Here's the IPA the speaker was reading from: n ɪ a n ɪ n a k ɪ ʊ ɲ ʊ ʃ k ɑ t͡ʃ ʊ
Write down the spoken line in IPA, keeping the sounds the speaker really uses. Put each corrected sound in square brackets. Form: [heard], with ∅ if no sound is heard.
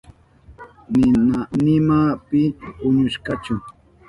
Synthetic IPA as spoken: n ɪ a n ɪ [m] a [p] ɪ ʊ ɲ ʊ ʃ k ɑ t͡ʃ ʊ